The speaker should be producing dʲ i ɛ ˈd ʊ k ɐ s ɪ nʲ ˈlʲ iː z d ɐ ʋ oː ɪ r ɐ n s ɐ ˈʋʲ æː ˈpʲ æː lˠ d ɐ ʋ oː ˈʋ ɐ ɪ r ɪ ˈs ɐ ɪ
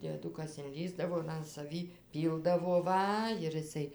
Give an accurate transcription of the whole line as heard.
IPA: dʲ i ɛ ˈd ʊ k ɐ s ɪ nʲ ˈlʲ iː z d ɐ ʋ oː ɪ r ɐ n s ɐ ˈʋʲ iː ˈpʲ iː lˠ d ɐ ʋ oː ˈʋ ɐ ɪ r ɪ ˈs ɐ ɪ